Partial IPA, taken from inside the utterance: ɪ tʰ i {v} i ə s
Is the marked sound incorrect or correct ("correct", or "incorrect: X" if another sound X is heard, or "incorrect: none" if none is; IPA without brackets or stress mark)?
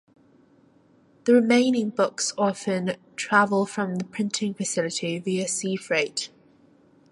correct